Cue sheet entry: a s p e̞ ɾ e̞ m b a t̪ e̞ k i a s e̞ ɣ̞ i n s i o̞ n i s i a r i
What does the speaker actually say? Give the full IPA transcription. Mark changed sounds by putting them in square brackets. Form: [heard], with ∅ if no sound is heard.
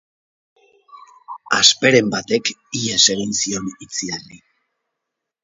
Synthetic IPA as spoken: a s p e̞ ɾ e̞ m b a t̪ e̞ k i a s e̞ ɣ̞ i n s i o̞ n i [t͡s] i a r i